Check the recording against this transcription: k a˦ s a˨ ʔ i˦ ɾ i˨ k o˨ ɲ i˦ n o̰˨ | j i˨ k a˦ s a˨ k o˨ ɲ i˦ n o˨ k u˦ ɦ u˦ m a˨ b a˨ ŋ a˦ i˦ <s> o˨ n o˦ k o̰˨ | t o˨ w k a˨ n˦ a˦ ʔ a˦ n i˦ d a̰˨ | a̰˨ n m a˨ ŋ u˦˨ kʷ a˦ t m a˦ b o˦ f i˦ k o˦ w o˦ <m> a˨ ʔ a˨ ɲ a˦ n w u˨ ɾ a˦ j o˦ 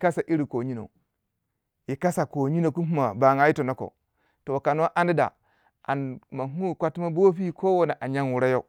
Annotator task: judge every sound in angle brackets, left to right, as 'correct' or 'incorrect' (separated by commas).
incorrect, incorrect